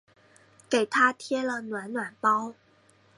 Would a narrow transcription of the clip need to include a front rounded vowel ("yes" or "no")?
no